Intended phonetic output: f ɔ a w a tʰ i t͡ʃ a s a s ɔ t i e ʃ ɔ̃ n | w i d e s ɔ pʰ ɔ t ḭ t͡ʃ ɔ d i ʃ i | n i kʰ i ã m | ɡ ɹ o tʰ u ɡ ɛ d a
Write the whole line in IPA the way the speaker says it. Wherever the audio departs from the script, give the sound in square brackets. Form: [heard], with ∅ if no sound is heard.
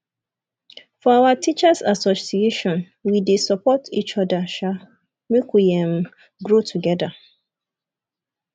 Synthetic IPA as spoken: f ɔ a w a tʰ i t͡ʃ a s a s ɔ [s] i e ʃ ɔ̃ n | w i d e s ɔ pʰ ɔ t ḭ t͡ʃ ɔ d [a] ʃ [a] | [m] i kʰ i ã m | ɡ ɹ o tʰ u ɡ ɛ d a